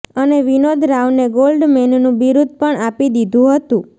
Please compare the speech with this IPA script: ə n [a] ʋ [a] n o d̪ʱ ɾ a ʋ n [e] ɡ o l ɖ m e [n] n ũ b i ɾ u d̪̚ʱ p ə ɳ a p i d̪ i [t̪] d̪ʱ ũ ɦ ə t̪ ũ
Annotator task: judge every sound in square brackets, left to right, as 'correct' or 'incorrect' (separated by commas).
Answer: incorrect, incorrect, correct, correct, incorrect